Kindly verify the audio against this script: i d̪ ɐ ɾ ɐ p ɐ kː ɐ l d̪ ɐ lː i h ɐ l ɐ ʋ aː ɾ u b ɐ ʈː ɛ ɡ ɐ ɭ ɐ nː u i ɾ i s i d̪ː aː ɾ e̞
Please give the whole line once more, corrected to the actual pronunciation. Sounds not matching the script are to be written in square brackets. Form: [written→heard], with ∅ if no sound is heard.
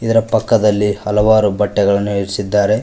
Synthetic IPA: i d̪ ɐ ɾ ɐ p ɐ kː ɐ [l→∅] d̪ ɐ lː i h ɐ l ɐ ʋ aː ɾ u b ɐ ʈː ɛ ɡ ɐ ɭ ɐ nː u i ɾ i s i d̪ː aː ɾ e̞